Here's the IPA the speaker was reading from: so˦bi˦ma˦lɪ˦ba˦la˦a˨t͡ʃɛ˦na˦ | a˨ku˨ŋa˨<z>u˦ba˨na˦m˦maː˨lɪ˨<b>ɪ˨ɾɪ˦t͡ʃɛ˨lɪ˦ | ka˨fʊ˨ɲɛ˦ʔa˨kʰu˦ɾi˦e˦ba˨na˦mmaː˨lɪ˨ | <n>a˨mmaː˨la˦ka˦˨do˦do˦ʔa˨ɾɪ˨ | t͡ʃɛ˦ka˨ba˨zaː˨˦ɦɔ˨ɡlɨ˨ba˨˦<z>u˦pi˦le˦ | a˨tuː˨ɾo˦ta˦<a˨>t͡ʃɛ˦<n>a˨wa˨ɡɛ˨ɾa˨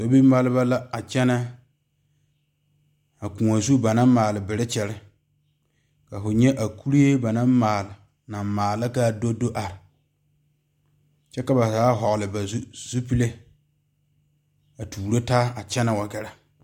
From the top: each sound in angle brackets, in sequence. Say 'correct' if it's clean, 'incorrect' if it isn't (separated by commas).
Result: correct, correct, correct, correct, correct, correct